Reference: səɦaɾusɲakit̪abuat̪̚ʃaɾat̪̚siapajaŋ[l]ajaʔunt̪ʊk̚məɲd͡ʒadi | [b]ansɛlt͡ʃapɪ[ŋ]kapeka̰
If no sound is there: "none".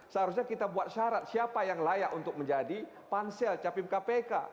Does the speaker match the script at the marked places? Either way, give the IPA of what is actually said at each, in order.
l, p, m

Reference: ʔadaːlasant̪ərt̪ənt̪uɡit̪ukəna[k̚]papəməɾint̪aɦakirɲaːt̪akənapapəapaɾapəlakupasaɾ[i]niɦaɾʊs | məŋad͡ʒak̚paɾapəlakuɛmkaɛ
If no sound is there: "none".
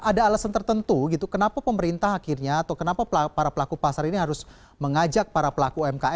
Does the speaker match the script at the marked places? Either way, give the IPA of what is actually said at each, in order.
none, i

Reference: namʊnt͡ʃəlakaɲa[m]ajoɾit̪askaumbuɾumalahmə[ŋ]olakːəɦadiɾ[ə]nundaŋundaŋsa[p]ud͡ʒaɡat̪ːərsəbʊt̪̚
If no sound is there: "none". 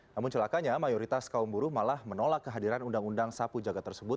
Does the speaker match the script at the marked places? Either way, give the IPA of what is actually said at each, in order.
m, n, a, p

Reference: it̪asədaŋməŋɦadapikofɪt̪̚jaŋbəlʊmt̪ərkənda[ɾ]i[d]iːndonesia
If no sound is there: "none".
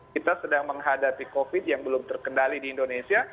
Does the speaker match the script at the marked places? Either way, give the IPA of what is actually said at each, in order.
l, d

